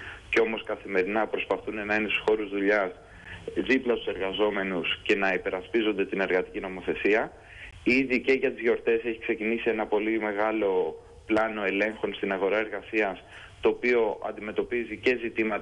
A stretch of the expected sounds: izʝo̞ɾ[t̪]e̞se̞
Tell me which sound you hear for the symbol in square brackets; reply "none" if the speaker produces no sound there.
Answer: t̪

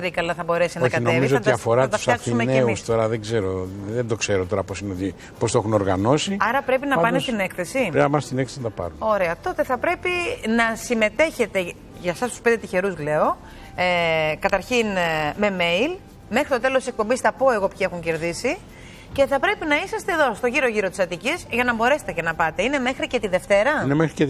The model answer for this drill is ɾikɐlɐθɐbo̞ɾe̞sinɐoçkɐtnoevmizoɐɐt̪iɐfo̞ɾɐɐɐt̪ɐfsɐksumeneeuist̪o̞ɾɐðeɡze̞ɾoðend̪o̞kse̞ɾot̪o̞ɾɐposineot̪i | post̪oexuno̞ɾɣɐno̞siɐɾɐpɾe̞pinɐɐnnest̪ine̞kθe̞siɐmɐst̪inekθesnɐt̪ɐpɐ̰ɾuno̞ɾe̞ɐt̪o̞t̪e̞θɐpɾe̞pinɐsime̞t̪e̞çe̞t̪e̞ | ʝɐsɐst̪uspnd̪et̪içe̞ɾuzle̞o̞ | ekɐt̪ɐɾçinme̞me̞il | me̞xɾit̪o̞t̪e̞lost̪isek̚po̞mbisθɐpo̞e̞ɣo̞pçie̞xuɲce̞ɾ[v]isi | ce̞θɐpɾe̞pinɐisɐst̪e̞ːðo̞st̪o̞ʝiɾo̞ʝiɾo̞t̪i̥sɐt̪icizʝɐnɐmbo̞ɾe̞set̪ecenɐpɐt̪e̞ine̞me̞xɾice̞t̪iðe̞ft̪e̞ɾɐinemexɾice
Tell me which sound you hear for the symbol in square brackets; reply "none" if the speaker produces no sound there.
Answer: ð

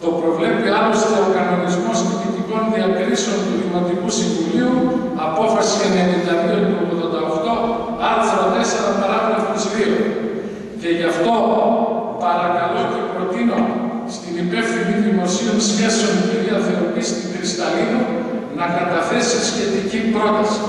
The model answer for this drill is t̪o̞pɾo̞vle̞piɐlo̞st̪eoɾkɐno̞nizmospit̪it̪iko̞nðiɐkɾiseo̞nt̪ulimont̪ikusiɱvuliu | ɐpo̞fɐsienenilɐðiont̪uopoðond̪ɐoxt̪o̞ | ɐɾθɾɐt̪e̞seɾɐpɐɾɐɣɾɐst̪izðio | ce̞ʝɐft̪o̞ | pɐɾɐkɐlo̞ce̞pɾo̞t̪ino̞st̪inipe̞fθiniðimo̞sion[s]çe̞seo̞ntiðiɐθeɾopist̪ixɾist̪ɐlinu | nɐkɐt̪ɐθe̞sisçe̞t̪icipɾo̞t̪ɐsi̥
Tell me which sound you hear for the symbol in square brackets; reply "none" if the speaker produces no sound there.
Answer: s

